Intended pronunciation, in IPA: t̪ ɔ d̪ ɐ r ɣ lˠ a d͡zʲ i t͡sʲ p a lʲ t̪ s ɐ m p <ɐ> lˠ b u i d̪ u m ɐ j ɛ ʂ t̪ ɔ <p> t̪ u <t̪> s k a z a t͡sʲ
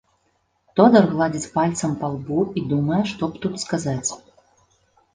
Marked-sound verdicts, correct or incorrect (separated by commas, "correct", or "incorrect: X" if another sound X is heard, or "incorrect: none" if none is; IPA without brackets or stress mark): incorrect: a, correct, correct